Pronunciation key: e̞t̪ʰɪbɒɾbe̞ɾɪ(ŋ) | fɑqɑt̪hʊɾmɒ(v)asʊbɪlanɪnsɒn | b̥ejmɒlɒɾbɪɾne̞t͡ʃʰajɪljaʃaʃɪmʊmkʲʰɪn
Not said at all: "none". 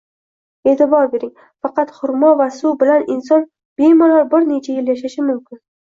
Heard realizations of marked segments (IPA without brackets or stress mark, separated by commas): ŋ, v